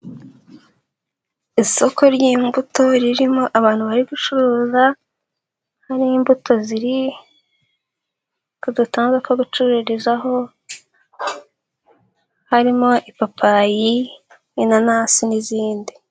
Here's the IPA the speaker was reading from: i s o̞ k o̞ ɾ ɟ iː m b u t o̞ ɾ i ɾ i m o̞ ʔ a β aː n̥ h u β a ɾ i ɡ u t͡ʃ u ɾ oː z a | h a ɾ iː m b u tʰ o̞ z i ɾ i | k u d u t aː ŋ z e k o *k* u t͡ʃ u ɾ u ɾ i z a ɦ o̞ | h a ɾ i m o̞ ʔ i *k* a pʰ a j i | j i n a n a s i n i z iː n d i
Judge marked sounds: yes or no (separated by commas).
no, no